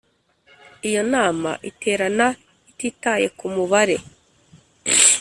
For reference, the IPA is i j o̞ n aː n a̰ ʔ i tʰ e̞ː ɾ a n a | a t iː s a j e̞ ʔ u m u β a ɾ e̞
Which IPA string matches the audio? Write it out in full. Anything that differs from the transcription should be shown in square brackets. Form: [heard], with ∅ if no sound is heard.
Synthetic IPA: i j o̞ n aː [m] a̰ ʔ i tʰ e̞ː ɾ a n a | [i] t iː [t] a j e̞ [k] u m u β a ɾ e̞